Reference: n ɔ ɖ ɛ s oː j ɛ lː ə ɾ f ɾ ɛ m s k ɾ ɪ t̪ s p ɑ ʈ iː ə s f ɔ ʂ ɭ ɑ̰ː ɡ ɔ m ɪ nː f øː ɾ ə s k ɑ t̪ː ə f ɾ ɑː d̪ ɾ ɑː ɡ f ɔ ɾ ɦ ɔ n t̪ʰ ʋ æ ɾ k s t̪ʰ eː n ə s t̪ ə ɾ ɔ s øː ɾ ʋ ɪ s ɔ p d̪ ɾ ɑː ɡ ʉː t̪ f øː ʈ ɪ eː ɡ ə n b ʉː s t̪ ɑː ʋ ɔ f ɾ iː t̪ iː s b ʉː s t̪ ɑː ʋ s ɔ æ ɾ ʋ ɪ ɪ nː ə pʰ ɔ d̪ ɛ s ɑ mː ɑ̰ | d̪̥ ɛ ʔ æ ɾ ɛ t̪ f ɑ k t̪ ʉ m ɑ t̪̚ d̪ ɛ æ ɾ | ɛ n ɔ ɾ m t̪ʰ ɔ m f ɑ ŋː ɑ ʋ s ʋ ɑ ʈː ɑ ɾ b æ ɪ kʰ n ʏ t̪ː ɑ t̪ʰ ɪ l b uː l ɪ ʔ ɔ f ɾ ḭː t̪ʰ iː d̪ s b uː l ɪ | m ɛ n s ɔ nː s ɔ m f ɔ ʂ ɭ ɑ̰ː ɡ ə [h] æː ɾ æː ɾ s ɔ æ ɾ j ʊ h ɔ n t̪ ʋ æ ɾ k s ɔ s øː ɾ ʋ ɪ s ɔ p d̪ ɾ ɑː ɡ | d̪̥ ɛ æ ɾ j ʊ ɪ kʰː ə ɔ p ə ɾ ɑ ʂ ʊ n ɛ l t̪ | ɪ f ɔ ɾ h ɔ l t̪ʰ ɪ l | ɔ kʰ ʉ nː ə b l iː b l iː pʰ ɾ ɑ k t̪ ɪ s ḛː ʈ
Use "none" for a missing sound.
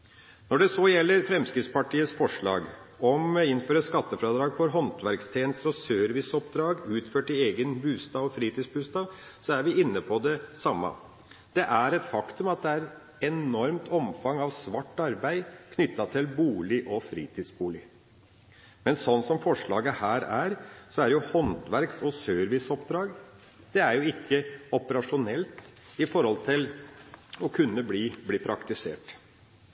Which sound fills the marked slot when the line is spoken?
h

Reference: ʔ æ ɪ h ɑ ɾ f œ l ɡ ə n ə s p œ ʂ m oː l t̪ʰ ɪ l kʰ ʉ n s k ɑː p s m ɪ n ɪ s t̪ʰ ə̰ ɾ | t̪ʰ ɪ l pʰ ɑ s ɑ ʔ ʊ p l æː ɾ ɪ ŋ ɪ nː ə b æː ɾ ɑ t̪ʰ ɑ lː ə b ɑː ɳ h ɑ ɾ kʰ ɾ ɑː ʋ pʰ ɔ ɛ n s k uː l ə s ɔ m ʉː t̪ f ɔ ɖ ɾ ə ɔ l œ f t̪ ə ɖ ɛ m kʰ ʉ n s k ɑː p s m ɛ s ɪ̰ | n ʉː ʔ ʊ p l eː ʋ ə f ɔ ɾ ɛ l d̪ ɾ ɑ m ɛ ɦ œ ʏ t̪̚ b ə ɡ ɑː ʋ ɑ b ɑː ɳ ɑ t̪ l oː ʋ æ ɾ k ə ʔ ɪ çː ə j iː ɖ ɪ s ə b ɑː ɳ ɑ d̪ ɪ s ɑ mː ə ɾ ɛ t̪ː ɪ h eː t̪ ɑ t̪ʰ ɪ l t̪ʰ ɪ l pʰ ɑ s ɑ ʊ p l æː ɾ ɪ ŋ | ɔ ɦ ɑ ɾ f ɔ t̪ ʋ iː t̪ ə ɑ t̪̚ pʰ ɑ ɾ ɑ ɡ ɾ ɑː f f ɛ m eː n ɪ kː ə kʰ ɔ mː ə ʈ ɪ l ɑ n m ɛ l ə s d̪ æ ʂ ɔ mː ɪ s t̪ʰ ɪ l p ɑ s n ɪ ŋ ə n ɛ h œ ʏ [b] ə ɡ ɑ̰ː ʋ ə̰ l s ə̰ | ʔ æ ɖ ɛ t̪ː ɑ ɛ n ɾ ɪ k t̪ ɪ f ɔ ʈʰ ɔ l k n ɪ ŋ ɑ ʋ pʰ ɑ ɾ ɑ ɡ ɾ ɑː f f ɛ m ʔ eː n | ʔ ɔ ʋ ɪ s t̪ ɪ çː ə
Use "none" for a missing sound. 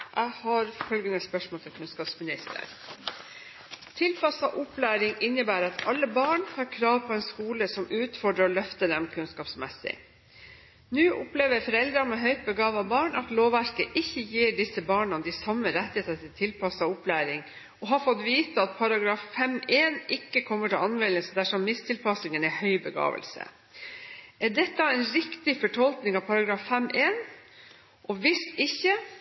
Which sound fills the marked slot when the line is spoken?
b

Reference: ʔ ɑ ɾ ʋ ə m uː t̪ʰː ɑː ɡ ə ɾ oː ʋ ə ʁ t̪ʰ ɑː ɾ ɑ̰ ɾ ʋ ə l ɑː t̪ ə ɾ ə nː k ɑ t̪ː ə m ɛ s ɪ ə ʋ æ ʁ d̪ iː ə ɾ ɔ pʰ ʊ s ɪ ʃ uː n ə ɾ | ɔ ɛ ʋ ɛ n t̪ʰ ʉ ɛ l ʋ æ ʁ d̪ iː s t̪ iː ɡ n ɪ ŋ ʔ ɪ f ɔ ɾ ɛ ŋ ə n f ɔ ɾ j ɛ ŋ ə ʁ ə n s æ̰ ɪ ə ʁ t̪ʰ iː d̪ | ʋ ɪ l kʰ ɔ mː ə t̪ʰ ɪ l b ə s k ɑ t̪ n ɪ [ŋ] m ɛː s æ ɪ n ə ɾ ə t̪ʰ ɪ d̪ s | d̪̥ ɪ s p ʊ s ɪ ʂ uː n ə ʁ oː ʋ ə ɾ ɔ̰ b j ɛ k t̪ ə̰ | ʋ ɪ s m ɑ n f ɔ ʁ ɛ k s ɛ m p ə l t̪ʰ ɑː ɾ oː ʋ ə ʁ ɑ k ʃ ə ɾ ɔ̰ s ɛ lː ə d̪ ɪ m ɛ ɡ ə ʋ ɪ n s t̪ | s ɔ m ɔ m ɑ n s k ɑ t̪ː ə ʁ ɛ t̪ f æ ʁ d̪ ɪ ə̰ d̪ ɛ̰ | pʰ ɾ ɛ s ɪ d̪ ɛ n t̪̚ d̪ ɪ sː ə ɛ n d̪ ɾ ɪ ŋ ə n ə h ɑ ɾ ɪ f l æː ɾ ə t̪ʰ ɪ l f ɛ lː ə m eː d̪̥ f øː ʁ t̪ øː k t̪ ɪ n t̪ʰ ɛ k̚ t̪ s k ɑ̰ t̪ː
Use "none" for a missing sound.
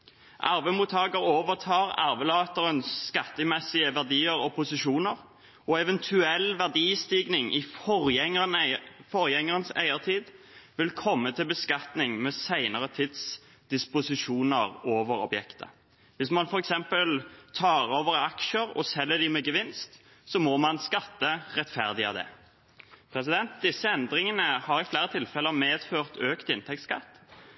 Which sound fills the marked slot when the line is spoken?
ŋ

